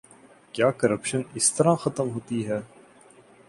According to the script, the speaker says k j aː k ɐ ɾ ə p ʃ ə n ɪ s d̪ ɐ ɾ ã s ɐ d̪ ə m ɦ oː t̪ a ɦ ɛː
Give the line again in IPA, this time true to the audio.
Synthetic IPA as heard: k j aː k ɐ ɾ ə p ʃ ə n ɪ s t̪ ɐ ɾ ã x ɐ t̪ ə m ɦ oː t̪ i ɦ ɛː